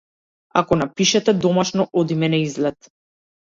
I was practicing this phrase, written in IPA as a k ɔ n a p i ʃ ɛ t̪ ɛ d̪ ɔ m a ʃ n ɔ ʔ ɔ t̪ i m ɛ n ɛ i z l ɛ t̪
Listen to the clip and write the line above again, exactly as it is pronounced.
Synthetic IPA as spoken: a k ɔ n a p i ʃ ɛ t̪ ɛ d̪ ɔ m a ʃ n ɔ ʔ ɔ d̪ i m ɛ n ɛ i z l ɛ t̪